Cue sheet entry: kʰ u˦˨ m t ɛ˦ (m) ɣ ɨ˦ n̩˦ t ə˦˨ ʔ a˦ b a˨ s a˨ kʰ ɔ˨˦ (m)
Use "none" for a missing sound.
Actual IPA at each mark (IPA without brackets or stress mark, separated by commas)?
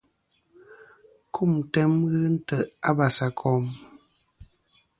m, m